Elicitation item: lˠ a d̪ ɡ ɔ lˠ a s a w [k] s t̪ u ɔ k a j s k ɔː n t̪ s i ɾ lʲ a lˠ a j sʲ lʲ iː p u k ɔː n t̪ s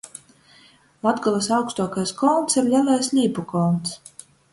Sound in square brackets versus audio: correct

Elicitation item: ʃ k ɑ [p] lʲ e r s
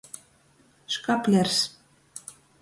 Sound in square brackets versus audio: correct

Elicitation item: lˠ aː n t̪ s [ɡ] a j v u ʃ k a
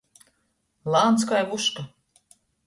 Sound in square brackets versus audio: incorrect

